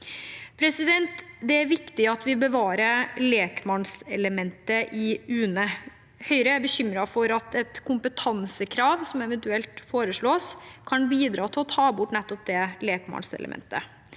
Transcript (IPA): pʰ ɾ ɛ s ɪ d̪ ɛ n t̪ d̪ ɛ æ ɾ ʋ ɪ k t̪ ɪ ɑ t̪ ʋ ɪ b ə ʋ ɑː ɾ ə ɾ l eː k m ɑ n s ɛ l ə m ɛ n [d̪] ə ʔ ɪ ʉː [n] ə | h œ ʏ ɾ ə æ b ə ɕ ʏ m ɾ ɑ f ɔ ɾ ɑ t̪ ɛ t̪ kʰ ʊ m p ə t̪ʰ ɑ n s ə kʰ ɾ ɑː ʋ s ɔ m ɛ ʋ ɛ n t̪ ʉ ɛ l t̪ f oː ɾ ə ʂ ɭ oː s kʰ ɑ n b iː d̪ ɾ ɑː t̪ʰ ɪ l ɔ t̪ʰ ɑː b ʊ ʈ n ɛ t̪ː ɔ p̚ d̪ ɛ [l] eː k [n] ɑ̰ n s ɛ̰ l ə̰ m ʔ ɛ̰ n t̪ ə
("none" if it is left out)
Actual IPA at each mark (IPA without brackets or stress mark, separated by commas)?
t̪, n, l, m